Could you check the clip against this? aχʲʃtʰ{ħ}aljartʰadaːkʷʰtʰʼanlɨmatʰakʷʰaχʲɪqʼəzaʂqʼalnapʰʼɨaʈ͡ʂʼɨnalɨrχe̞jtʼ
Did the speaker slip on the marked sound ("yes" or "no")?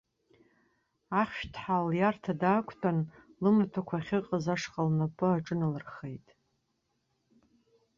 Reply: no